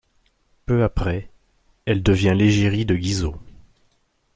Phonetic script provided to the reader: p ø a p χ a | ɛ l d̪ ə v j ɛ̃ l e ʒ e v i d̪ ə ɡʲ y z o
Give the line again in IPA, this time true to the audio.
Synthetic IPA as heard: p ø a p χ ɛ | ɛ l d̪ ə v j ɛ̃ l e ʒ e ʁ i d̪ ə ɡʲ i z o